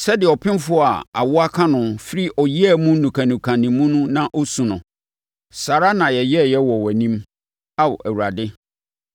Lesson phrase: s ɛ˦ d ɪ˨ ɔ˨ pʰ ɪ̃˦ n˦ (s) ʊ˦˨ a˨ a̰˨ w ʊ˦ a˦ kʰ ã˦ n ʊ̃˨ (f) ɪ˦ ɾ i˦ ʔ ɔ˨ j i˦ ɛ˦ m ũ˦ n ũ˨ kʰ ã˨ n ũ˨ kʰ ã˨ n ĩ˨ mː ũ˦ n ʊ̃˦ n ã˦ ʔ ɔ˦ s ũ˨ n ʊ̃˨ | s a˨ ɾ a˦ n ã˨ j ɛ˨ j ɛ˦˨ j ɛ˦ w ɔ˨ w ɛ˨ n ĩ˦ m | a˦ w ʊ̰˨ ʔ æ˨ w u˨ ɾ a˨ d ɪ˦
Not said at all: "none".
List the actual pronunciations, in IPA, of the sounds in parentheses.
f, f

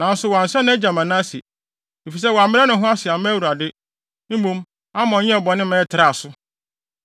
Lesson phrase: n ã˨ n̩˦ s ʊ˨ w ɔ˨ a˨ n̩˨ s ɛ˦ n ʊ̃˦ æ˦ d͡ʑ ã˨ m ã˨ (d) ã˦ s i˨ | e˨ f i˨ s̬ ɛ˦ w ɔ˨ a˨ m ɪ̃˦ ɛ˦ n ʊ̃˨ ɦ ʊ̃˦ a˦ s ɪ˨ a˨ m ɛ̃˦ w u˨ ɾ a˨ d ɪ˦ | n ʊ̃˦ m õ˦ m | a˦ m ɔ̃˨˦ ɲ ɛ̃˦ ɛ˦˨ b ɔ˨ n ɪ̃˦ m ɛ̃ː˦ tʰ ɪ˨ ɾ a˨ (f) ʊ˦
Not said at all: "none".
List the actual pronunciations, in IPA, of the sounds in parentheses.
n, s

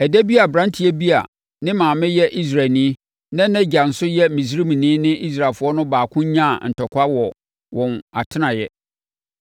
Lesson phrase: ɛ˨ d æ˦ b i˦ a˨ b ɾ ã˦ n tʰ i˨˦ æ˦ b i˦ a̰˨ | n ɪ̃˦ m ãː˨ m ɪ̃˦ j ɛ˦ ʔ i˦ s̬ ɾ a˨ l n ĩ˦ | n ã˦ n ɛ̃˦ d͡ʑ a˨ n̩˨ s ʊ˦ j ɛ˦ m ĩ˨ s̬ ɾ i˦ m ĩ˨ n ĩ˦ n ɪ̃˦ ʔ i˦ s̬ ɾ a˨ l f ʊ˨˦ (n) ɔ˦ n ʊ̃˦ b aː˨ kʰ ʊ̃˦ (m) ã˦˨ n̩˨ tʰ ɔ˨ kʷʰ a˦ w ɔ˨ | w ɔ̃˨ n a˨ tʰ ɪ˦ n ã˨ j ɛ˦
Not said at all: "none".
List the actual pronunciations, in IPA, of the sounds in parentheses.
none, ɲ

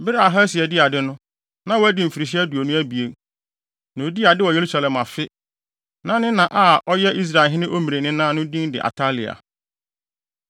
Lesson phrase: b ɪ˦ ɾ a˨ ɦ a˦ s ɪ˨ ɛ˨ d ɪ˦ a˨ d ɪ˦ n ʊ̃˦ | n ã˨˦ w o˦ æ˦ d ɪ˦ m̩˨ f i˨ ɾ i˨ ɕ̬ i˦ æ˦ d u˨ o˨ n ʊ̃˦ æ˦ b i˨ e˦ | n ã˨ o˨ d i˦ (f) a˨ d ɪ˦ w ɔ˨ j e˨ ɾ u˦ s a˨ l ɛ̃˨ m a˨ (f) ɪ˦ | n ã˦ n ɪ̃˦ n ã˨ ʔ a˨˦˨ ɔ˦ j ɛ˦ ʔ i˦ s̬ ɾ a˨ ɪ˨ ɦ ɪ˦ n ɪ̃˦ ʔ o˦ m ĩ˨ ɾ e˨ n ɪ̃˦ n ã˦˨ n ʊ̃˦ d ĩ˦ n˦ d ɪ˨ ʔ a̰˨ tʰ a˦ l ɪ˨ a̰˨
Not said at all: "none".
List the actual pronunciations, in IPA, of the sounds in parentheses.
none, f

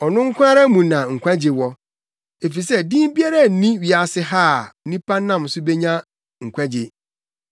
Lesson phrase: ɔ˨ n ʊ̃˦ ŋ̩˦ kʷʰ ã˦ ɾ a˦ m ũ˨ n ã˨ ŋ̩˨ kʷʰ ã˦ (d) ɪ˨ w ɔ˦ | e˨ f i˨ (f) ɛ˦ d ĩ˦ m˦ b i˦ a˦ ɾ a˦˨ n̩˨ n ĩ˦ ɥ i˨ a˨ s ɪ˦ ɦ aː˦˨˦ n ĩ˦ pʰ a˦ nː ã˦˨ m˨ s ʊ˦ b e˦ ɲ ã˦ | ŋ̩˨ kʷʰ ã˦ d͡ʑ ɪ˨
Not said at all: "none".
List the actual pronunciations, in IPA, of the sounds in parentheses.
d͡ʑ, s

